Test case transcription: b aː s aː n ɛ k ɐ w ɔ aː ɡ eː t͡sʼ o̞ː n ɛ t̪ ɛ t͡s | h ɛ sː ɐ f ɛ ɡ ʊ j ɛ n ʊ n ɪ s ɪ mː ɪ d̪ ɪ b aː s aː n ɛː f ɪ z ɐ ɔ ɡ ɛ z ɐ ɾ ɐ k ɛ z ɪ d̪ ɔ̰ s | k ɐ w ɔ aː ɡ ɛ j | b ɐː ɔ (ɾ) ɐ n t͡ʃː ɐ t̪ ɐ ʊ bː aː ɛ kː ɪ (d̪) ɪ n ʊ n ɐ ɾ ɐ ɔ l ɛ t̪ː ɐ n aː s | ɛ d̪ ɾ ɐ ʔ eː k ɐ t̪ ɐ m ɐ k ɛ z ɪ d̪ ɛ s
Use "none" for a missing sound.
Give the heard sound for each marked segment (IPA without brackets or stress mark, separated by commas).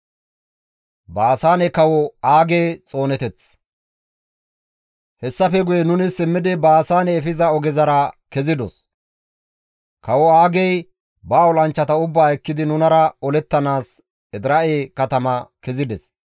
l, d̪